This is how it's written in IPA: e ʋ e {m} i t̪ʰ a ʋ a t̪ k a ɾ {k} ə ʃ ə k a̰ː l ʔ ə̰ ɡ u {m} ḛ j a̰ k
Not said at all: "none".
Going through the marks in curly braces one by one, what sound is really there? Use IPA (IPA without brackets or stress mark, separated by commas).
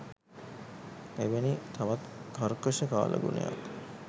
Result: n, k, n